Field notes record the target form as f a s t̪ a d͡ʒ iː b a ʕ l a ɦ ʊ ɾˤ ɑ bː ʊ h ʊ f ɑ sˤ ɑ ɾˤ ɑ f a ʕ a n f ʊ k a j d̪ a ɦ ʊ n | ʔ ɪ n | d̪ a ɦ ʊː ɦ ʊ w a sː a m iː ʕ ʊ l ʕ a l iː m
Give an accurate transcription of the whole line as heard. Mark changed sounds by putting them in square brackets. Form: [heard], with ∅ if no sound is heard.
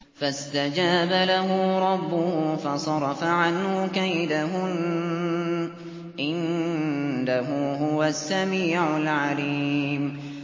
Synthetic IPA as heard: f a s t̪ a d͡ʒ [aː] b a [∅] l a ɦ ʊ ɾˤ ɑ bː ʊ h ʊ f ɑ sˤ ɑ ɾˤ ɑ f a ʕ a n [h] ʊ k a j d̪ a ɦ ʊ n | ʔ ɪ n | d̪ a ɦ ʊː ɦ ʊ w a sː a m iː ʕ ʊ l ʕ a l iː m